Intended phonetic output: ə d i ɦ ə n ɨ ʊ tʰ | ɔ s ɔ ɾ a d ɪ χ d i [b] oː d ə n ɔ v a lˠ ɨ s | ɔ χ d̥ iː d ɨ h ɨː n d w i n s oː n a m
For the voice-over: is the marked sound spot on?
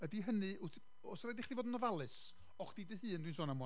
no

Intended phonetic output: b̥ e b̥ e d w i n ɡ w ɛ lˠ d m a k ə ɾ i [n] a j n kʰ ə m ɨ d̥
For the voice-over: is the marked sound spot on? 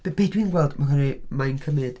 no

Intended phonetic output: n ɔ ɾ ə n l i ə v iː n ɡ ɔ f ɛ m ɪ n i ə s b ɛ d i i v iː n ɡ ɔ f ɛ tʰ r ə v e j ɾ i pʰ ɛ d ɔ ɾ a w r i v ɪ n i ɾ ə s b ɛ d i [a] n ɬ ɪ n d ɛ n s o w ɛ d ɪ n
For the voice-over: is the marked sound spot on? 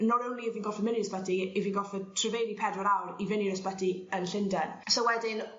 no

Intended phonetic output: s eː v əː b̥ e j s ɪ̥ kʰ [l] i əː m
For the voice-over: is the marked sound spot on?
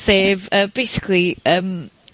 yes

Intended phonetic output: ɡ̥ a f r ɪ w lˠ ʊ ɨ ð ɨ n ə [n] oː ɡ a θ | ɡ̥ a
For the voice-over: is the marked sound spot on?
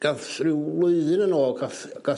yes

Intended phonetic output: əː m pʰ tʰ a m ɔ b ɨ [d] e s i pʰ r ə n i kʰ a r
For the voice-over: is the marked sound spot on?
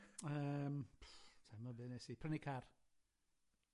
no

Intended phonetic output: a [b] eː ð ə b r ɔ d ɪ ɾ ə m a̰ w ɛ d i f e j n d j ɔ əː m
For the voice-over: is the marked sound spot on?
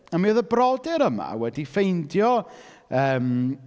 no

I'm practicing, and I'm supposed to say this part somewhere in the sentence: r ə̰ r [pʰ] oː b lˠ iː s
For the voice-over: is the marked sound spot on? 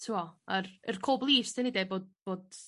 no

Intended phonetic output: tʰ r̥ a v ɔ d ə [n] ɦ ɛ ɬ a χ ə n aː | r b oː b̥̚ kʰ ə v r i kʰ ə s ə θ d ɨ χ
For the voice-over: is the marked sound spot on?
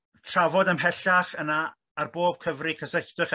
no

